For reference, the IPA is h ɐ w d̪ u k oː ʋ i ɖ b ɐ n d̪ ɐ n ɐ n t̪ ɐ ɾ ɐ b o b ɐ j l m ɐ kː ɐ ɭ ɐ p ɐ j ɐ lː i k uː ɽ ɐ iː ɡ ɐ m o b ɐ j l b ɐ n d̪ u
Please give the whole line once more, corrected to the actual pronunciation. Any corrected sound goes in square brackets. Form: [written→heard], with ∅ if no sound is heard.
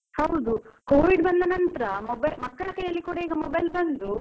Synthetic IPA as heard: h ɐ w d̪ u k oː ʋ i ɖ b ɐ n d̪ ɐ n ɐ n t̪ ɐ ɾ ɐ [b→m] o b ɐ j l m ɐ kː ɐ ɭ ɐ [p→k] ɐ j ɐ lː i k uː ɽ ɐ iː ɡ ɐ m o b ɐ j l b ɐ n d̪ u

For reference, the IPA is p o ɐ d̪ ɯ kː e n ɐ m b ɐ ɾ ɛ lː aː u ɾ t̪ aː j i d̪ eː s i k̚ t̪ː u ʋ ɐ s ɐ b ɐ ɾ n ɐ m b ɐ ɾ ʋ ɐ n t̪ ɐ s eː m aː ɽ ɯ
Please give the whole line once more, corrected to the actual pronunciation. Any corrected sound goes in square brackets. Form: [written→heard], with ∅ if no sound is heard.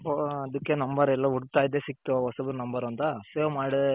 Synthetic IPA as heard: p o ɐ d̪ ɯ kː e n ɐ m b ɐ ɾ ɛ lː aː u [ɾ→ɽ] t̪ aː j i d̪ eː s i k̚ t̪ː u ʋ ɐ s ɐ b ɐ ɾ n ɐ m b ɐ ɾ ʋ ɐ n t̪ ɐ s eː m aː ɽ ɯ

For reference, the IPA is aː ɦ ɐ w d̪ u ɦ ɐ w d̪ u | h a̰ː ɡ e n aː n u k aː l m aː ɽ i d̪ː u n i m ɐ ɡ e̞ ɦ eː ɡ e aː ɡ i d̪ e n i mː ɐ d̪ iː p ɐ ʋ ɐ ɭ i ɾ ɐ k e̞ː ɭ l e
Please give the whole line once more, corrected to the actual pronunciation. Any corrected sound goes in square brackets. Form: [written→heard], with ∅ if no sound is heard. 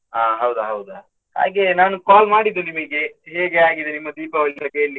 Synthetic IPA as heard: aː ɦ ɐ w d̪ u ɦ ɐ w d̪ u | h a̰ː ɡ e n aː n u k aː l m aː ɽ i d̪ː u n i m ɐ ɡ e̞ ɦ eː ɡ e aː ɡ i d̪ e n i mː ɐ d̪ iː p ɐ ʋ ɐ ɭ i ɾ ɐ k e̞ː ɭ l [e→i]

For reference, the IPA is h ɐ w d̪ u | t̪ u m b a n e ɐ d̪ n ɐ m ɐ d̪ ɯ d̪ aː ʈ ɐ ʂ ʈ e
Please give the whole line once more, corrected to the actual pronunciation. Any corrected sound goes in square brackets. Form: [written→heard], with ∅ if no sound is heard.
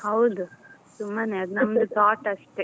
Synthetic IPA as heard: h ɐ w d̪ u | t̪ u m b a n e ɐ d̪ n ɐ m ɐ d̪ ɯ [d̪→t̪] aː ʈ ɐ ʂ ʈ e

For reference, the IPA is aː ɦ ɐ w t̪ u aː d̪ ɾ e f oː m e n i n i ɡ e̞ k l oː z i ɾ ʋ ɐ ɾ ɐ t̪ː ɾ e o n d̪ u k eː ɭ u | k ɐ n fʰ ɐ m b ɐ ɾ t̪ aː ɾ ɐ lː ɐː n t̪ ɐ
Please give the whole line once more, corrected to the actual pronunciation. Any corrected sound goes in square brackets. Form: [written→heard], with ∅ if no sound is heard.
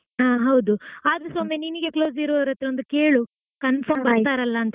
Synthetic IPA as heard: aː ɦ ɐ w [t̪→d̪] u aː d̪ ɾ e [f→s] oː m e n i n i ɡ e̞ k l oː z i ɾ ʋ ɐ ɾ ɐ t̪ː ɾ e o n d̪ u k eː ɭ u | k ɐ n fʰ ɐ m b ɐ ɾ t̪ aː ɾ ɐ lː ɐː n t̪ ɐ

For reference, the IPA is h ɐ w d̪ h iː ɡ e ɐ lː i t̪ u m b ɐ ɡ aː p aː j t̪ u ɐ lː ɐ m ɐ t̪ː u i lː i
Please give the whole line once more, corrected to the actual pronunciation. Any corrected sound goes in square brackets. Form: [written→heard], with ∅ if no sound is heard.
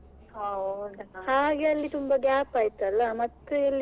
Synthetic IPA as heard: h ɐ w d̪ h [iː→aː] ɡ e ɐ lː i t̪ u m b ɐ ɡ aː p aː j t̪ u ɐ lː ɐ m ɐ t̪ː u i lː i

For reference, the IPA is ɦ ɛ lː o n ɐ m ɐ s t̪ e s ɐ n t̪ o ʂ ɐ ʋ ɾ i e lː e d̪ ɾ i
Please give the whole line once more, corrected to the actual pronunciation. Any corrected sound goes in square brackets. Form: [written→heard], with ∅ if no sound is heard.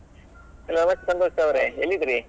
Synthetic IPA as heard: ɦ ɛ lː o n ɐ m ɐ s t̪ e s ɐ n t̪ o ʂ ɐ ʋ ɾ [i→e] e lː [e→i] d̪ ɾ i

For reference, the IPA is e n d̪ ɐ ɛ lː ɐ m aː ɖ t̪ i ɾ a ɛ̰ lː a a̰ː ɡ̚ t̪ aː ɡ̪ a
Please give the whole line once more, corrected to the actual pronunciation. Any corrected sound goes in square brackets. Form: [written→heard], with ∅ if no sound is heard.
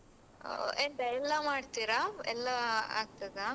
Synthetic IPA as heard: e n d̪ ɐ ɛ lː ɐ m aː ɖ t̪ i ɾ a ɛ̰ lː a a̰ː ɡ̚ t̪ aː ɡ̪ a

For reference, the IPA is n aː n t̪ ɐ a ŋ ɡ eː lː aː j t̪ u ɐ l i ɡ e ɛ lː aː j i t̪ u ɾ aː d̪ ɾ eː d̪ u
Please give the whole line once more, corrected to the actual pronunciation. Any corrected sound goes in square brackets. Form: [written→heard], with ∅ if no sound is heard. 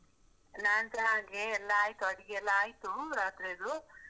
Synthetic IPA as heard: n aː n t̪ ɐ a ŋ ɡ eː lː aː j t̪ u ɐ [l→ɽ] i ɡ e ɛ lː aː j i t̪ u ɾ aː [d̪→t̪] ɾ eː d̪ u

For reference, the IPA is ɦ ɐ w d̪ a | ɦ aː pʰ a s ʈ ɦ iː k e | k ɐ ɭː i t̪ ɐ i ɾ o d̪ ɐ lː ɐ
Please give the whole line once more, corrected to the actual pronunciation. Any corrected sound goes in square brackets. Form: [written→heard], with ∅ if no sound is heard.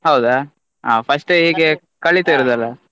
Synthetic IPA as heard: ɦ ɐ w d̪ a | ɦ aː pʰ [a→ɐ] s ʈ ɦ iː [k→ɡ] e | k ɐ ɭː i t̪ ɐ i ɾ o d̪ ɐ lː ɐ

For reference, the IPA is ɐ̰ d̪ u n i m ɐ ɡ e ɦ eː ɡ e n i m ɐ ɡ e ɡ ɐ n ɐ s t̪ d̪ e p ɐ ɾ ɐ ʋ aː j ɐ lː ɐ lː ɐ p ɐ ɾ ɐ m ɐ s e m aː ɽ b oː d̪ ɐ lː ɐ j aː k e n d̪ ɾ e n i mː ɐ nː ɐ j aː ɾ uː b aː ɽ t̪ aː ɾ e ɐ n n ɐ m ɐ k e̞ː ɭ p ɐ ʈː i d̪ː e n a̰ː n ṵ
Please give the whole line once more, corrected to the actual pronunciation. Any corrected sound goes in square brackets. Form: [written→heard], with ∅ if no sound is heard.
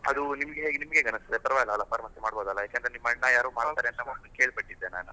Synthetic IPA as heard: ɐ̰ d̪ u n i m ɐ ɡ e ɦ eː ɡ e n i m ɐ ɡ e ɡ ɐ n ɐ s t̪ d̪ e p ɐ ɾ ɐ ʋ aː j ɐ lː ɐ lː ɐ p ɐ ɾ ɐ m ɐ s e m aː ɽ b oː d̪ ɐ lː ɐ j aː k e n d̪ ɾ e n i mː ɐ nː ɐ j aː ɾ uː [b→m] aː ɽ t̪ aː ɾ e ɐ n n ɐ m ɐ k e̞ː ɭ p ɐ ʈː i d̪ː e n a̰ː n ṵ

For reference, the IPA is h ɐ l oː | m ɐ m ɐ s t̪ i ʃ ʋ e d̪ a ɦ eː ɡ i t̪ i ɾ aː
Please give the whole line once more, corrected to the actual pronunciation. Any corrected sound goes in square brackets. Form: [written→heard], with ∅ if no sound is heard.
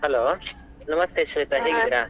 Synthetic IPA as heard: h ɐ l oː | [m→n] ɐ m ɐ s t̪ [i→e] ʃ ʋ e [d̪→t̪] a ɦ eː ɡ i [t̪→d̪] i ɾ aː

